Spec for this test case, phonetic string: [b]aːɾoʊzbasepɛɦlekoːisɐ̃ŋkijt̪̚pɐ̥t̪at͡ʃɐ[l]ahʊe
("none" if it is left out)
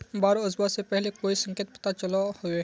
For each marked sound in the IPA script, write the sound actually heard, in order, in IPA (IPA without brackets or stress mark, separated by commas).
b, l